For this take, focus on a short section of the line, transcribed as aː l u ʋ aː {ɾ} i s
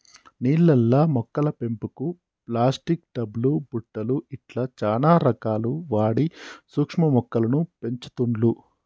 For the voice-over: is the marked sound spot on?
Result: no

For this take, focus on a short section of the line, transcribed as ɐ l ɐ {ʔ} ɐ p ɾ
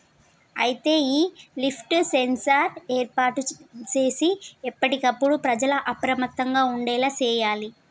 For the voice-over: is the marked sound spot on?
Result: yes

